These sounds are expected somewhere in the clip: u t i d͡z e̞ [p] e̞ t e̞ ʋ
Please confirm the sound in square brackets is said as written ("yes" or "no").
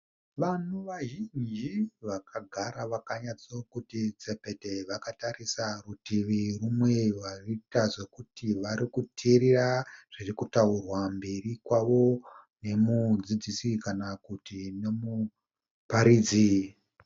yes